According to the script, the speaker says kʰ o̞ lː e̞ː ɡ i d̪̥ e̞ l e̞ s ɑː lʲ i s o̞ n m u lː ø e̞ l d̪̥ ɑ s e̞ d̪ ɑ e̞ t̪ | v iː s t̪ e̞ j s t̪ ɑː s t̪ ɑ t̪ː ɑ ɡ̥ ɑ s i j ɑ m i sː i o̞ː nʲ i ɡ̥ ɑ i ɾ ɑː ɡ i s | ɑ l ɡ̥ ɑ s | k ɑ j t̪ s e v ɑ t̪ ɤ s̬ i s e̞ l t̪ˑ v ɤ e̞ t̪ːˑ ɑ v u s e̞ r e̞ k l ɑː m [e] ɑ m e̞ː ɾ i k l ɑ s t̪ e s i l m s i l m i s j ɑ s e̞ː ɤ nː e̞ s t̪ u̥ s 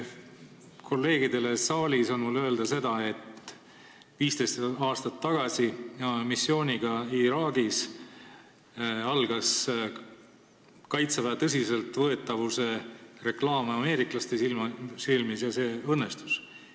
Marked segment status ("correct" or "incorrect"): correct